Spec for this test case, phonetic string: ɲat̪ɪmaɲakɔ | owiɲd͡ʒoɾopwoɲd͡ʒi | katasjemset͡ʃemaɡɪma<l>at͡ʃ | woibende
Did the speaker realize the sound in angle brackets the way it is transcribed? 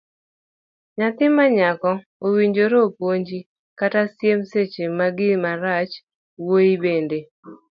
no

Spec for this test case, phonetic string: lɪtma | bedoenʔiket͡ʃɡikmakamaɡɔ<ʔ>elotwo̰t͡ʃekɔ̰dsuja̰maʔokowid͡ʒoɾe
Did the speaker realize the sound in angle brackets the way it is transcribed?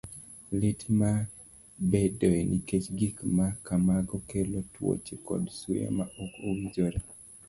no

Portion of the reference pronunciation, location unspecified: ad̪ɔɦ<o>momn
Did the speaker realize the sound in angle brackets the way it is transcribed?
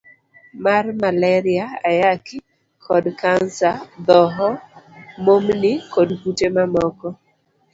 no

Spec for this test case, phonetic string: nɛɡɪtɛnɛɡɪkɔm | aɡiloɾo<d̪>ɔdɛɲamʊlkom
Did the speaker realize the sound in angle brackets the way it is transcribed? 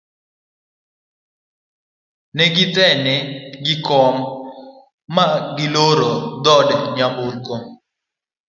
yes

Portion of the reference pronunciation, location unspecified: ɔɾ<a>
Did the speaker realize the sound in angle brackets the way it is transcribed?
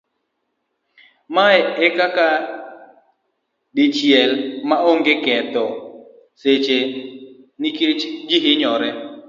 no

